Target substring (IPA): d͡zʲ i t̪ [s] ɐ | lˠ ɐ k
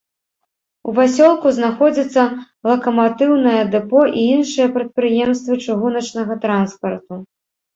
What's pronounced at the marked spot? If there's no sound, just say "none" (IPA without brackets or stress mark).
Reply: sː